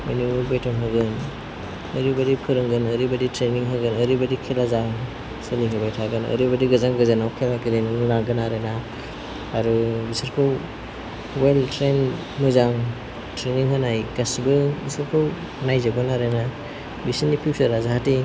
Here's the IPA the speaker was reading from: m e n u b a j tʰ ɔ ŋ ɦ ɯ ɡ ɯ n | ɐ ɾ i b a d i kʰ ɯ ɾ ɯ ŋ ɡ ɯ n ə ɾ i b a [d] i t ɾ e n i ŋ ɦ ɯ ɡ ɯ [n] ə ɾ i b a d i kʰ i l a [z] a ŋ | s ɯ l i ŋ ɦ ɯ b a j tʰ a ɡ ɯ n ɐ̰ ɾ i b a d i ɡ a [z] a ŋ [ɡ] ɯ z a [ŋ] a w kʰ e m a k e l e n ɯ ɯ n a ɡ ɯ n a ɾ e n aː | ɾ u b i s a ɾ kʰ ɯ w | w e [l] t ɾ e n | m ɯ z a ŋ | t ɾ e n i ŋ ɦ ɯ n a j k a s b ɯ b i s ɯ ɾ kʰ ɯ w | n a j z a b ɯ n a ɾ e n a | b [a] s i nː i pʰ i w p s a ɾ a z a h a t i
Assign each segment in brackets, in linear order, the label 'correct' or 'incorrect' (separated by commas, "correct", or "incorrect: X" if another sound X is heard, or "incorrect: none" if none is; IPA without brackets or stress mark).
correct, correct, correct, correct, correct, incorrect: n, correct, incorrect: i